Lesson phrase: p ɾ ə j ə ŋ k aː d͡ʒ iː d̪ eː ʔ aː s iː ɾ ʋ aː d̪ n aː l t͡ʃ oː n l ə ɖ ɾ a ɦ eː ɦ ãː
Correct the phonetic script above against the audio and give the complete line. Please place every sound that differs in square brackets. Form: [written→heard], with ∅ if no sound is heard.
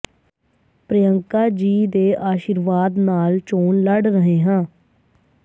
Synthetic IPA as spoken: p ɾ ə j ə ŋ k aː d͡ʒ iː d̪ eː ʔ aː [s→ʃ] iː ɾ ʋ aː d̪ n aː l t͡ʃ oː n l ə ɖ ɾ [a→ə] ɦ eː ɦ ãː